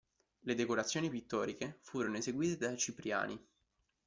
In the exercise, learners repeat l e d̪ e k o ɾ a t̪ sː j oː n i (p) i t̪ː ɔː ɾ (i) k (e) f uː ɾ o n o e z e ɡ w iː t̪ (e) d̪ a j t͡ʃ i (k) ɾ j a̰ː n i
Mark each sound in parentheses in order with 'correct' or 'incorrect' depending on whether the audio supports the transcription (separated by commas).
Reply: correct, correct, correct, correct, incorrect